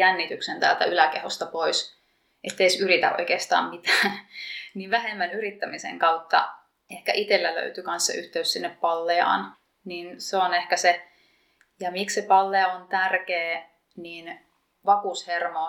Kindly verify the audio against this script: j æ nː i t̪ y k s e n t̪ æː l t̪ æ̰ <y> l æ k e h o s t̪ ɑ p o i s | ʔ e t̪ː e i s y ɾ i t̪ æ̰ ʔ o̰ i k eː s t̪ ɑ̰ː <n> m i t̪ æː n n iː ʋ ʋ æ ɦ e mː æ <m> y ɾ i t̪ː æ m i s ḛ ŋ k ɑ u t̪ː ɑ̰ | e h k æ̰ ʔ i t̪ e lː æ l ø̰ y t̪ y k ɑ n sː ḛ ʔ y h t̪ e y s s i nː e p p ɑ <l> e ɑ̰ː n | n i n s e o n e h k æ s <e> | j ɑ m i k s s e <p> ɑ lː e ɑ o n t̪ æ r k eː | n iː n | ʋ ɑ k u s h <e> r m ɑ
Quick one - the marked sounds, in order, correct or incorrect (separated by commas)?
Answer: correct, incorrect, incorrect, incorrect, correct, correct, correct